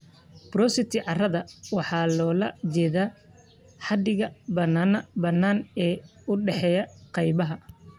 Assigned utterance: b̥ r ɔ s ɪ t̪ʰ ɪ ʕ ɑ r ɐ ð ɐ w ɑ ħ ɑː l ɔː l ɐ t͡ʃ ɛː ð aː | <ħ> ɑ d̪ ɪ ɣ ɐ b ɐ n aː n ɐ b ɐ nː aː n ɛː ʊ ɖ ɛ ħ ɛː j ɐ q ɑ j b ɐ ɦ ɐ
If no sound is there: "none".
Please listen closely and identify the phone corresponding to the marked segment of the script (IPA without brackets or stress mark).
ħ